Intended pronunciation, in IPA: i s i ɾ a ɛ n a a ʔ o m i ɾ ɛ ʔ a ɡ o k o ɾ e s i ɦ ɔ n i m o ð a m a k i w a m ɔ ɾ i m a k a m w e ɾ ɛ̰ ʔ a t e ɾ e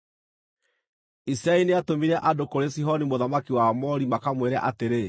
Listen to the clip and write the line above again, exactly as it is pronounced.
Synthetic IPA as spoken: i s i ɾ a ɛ n e a t o m i ɾ ɛ ʔ a d o k o ɾ e s i ɦ ɔ n i m o ð a m a k i w a m ɔ ɾ i m a k a m w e ɾ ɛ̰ ʔ a t e ɾ e